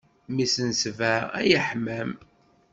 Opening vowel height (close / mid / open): close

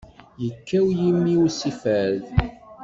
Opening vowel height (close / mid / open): mid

